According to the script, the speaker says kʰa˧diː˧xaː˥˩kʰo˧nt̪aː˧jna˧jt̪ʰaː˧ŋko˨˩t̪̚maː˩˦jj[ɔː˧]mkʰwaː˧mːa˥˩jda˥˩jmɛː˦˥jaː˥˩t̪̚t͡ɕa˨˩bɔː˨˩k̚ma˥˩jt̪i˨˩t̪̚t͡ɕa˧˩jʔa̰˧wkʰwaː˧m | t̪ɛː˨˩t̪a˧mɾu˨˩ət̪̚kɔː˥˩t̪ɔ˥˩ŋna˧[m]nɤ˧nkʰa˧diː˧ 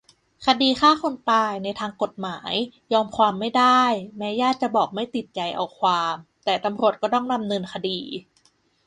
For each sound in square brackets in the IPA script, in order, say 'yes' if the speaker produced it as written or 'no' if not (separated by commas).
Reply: yes, yes